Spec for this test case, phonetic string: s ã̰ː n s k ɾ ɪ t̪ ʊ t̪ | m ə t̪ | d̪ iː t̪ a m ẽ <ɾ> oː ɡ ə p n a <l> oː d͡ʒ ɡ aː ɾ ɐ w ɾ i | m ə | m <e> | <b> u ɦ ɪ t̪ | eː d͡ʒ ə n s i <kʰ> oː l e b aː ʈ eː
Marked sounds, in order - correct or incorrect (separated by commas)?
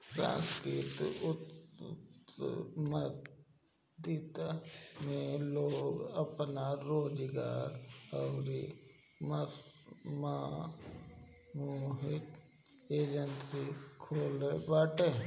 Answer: incorrect, incorrect, incorrect, incorrect, correct